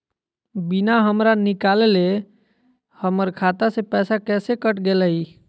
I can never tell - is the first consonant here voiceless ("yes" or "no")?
no